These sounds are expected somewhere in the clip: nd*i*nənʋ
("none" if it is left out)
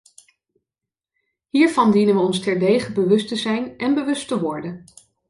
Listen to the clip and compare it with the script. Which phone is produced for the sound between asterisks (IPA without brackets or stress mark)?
i